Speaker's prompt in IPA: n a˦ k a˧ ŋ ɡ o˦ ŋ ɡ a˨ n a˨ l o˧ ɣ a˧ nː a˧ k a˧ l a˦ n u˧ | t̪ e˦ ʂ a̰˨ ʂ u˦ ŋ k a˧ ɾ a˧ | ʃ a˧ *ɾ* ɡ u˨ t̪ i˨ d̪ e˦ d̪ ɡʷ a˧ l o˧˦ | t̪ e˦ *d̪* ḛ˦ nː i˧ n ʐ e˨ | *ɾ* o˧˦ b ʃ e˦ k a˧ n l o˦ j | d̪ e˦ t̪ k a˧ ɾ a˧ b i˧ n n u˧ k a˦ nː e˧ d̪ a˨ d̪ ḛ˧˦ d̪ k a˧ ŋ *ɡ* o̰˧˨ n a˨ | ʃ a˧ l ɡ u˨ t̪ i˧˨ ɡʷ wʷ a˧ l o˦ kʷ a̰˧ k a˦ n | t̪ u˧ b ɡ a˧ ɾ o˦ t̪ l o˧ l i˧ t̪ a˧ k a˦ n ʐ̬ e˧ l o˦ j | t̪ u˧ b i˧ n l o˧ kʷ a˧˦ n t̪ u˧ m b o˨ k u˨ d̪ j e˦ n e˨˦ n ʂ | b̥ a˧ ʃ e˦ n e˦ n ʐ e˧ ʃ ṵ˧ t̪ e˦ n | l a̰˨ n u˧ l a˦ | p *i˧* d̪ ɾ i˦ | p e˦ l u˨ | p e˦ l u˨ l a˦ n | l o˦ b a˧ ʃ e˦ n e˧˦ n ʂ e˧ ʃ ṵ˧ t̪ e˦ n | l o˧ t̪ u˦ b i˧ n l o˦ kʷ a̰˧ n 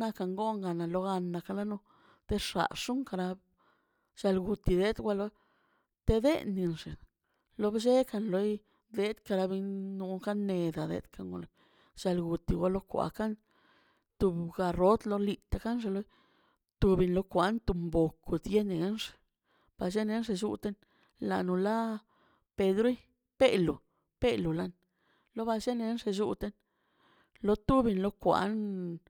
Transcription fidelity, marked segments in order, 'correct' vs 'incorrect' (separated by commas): incorrect, correct, incorrect, correct, incorrect